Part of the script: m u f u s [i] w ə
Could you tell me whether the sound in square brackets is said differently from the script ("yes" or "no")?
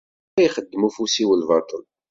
no